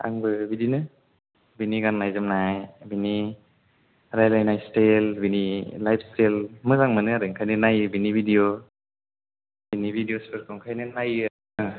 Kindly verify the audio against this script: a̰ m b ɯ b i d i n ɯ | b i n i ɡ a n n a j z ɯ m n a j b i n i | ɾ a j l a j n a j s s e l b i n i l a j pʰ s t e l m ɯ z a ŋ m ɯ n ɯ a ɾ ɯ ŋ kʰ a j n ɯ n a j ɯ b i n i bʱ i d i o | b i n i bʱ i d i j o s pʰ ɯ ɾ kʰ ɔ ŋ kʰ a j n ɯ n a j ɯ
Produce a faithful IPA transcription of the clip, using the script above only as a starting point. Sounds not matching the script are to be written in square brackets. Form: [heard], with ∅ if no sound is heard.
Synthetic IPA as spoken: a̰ [ŋ] b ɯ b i d i n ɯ | b i n i ɡ a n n a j z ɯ m n a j b i n i | ɾ a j l a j n a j s [t] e l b i n i l a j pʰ s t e l m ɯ z a ŋ m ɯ n ɯ a ɾ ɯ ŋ kʰ a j n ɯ n a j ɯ b i n i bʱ i d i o | b i n i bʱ i d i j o s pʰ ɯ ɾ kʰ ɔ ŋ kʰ a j n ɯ n a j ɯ